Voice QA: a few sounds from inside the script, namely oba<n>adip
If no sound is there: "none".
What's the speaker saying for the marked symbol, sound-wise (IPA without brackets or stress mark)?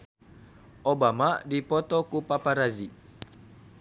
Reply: m